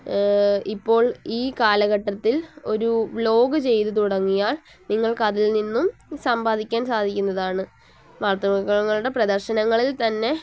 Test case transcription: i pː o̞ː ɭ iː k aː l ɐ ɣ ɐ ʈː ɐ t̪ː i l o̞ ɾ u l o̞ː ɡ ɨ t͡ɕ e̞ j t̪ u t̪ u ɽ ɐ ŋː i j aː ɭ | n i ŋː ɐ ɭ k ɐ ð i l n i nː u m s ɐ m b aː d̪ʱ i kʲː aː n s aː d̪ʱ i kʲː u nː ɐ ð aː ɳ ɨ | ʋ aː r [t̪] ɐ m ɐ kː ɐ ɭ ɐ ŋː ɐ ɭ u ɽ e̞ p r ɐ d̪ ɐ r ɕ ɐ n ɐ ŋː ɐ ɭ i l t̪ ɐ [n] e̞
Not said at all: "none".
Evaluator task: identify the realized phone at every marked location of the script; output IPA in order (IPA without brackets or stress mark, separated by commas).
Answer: t̪, nː